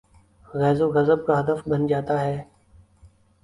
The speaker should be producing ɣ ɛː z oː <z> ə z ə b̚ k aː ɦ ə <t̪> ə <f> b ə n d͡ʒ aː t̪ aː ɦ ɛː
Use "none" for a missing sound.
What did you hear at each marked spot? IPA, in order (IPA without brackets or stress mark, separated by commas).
ɣ, d̪, f